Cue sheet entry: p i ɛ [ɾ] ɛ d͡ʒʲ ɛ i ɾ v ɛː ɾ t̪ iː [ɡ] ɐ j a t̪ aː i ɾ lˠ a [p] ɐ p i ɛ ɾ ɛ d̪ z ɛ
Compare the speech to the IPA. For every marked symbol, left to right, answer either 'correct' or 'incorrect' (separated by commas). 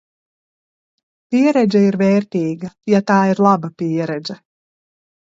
correct, correct, incorrect